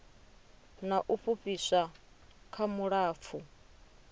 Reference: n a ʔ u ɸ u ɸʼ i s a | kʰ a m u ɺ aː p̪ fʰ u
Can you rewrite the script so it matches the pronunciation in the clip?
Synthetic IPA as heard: n a ʔ u ɸ u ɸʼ i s a | kʰ a m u ɺ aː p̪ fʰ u

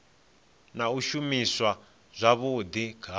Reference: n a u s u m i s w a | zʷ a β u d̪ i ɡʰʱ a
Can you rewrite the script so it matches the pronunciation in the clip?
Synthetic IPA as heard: n a u ʃ u m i s w a | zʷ a β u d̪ i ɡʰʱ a

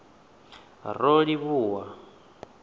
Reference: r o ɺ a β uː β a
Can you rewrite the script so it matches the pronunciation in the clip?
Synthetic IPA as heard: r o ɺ i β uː w a

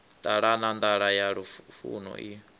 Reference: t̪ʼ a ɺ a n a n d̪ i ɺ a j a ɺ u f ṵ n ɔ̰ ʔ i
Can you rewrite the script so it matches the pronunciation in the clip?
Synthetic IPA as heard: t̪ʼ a ɺ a n a n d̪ a ɺ a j a ɺ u f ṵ n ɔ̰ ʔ i

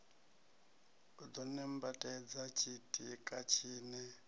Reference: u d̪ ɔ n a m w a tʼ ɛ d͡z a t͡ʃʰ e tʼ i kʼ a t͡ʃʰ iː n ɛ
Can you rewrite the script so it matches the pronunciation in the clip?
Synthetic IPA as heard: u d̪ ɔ n ɛ m b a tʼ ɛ d͡z a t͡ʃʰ i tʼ i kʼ a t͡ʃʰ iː n ɛ

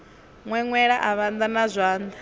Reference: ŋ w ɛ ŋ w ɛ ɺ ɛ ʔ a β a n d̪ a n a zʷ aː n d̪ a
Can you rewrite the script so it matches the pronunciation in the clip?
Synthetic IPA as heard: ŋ w ɛ ŋ w ɛ ɺ a ʔ a β a n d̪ a n a zʷ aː n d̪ a

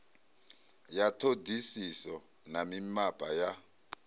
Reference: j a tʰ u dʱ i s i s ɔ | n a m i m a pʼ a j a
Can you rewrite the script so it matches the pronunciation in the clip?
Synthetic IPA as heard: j a tʰ o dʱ i s i s ɔ | n a m i m a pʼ a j a

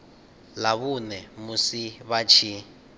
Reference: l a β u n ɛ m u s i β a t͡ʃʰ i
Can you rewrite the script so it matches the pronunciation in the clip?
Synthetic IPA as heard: l a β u n ɛ m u s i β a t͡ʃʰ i

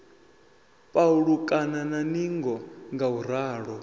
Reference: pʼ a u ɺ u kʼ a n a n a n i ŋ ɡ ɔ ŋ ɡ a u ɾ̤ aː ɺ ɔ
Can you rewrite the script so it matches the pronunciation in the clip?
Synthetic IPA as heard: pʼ a u ɺ u kʼ a n a n a n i ŋ ɡ ɔ ŋ ɡ a u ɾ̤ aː ɺ ɔ

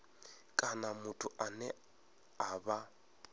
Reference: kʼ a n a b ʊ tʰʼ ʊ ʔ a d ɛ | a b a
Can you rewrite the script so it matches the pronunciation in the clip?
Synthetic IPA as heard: kʼ a n a m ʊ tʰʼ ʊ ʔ a n ɛ | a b a

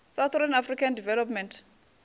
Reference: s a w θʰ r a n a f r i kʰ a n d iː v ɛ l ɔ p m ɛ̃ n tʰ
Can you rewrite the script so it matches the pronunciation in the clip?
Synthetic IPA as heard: s a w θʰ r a n a f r i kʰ a n d i v ɛ l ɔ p m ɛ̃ n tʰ

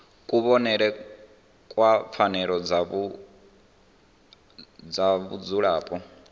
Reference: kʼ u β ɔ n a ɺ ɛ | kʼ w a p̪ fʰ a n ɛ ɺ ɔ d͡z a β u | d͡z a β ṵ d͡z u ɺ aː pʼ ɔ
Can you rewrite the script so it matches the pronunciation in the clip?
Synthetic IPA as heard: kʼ u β ɔ n ɛ ɺ ɛ | kʼ w a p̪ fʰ a n ɛ ɺ ɔ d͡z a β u | d͡z a β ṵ d͡z u ɺ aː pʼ ɔ

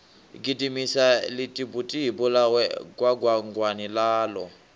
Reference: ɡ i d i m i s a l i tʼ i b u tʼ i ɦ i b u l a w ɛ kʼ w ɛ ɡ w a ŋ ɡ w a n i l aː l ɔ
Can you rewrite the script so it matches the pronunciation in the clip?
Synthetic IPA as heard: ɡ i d i m i s a l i tʼ i b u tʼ i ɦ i b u l a w ɛ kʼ w a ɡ w a ŋ ɡ w a n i l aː l ɔ

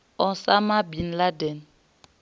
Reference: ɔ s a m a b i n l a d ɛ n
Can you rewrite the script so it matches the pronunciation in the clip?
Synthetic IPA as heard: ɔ s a m a b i n l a d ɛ n

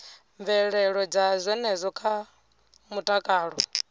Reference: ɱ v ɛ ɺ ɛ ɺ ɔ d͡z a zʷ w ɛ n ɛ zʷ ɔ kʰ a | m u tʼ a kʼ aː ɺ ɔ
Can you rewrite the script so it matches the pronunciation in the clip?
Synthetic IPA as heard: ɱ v ɛ ɺ ɛ ɺ ɔ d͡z a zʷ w ɛ n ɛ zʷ ɔ kʰ a | m u tʼ a kʼ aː ɺ ɔ

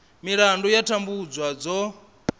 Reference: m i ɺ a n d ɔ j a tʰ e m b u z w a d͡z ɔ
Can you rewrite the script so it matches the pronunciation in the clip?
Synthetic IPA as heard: m i ɺ a n d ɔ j a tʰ a m b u d͡z w a d͡z ɔ

